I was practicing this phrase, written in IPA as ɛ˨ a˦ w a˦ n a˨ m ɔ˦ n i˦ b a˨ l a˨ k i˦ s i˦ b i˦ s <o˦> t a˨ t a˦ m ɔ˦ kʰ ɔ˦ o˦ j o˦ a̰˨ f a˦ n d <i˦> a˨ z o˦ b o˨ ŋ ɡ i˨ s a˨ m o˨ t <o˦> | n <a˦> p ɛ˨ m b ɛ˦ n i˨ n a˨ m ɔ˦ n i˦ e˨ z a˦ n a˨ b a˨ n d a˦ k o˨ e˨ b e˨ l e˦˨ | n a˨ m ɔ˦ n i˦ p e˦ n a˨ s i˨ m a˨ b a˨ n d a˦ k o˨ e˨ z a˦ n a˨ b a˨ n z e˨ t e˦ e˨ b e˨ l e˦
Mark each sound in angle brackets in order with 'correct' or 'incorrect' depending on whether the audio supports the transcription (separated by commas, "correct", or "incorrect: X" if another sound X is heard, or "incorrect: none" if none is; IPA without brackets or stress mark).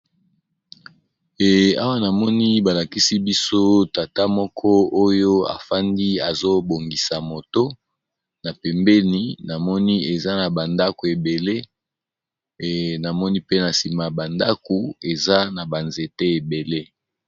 correct, correct, correct, incorrect: a˨